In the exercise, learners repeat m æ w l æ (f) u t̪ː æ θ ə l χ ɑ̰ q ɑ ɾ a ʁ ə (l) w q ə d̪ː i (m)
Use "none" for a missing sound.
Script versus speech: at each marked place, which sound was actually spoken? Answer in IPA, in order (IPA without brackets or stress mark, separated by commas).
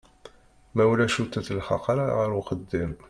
ʃ, ɾ, m